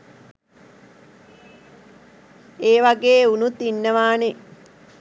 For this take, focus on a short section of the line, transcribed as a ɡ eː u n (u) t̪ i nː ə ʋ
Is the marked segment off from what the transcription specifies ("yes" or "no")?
no